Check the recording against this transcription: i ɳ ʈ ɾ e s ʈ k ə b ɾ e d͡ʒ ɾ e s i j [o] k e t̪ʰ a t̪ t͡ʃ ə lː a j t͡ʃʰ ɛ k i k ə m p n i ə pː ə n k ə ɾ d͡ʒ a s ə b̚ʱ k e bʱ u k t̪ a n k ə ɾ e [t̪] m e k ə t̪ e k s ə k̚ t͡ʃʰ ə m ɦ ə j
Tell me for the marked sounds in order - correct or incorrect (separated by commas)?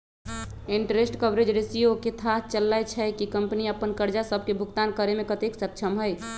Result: correct, incorrect